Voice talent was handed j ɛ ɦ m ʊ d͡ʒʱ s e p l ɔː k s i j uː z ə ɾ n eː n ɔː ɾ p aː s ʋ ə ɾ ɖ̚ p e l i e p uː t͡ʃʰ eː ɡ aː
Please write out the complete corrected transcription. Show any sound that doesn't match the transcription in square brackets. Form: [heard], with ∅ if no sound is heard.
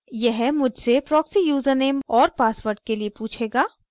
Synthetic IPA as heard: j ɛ ɦ m ʊ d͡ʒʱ s e p [ɾ] ɔː k s i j uː z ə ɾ n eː [m] ɔː ɾ p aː s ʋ ə ɾ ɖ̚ [k] e l i e p uː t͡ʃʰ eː ɡ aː